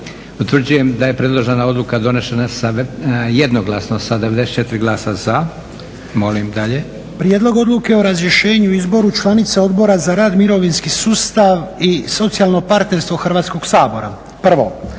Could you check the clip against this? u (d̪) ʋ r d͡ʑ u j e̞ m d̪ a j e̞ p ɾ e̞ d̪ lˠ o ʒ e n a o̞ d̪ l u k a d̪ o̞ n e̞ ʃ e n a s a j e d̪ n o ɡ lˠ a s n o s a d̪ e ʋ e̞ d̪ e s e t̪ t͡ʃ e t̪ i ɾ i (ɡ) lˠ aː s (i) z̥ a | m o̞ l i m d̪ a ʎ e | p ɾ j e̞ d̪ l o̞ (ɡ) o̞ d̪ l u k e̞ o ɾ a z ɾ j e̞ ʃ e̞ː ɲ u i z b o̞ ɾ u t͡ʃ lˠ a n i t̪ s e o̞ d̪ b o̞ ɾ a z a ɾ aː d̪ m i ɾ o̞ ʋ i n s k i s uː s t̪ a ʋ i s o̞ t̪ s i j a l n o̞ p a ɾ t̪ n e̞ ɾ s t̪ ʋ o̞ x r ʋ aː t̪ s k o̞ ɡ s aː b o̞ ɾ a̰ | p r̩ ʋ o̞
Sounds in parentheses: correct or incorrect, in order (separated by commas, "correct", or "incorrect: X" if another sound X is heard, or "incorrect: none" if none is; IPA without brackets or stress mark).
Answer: incorrect: t̪, correct, incorrect: a, correct